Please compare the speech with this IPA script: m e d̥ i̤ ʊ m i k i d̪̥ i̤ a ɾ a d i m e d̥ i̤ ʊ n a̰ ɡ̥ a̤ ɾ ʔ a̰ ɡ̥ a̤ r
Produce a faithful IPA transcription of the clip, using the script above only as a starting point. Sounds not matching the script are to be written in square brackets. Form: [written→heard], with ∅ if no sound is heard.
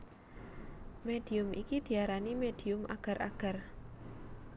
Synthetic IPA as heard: m e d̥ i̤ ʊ m i k i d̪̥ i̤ a ɾ a [d→n] i m e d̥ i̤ ʊ [n→m] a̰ ɡ̥ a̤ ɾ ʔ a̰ ɡ̥ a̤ r